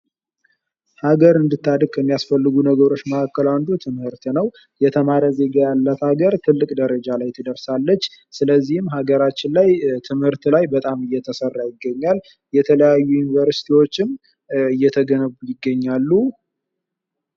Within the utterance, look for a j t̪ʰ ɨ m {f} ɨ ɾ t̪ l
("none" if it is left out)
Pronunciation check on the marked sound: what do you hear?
h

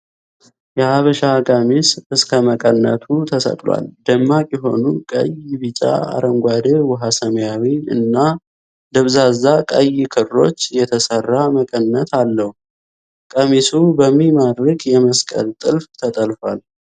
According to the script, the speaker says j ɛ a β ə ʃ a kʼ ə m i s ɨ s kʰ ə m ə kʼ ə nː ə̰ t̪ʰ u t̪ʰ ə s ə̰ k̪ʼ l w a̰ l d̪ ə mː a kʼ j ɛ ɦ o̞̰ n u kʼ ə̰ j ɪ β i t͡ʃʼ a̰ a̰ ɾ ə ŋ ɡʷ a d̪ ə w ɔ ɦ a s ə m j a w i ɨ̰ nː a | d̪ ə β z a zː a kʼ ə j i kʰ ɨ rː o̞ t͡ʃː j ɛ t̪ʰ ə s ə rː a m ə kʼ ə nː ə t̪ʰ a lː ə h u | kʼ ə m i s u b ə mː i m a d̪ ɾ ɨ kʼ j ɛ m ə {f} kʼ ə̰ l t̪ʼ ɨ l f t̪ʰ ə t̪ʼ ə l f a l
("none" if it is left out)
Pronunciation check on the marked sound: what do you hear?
s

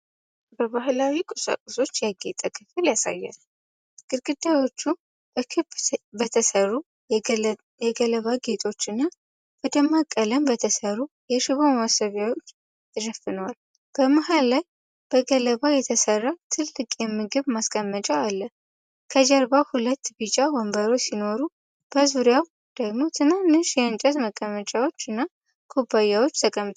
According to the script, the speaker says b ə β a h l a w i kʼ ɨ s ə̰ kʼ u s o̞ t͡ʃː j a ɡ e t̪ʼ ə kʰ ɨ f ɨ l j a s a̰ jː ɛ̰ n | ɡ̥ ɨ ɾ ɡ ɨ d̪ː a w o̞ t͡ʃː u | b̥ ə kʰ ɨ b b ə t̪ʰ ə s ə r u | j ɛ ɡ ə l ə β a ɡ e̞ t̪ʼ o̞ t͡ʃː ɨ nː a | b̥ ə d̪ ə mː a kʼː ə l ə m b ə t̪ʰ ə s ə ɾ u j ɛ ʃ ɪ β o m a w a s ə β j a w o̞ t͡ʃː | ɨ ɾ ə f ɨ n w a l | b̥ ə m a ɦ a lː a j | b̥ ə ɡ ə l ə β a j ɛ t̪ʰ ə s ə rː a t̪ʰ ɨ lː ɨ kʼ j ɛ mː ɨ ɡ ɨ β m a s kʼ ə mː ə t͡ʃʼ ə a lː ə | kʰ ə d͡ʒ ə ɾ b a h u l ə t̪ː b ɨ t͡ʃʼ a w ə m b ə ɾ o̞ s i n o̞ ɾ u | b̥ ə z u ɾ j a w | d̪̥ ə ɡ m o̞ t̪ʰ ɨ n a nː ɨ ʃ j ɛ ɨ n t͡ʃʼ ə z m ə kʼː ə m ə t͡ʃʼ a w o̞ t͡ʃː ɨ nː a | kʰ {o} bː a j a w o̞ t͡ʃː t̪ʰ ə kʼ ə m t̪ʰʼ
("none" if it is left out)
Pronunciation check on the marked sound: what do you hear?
o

